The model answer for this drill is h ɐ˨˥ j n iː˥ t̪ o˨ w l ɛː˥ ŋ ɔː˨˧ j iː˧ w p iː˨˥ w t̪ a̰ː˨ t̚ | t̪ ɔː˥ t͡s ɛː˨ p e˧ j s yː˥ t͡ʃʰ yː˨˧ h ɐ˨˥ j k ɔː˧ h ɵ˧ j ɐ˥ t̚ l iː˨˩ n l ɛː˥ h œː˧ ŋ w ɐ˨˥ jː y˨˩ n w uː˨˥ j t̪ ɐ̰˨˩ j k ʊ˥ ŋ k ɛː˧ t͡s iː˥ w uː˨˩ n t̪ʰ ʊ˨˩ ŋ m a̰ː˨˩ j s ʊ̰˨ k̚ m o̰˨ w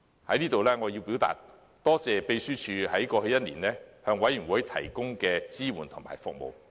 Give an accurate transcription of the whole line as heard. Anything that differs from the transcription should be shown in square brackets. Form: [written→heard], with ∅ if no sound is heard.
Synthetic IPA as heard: h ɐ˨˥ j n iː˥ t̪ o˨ w l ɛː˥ ŋ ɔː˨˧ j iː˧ w p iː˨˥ w t̪ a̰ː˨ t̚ | t̪ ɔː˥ t͡s ɛː˨ p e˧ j s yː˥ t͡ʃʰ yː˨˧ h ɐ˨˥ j k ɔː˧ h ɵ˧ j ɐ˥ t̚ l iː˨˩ n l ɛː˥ h œː˧ ŋ w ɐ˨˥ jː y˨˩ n w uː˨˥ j [t̪→t̪ʰ] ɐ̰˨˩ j k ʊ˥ ŋ k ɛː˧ t͡s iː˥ w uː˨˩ n t̪ʰ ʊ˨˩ ŋ m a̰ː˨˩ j [s→f] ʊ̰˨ k̚ m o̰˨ w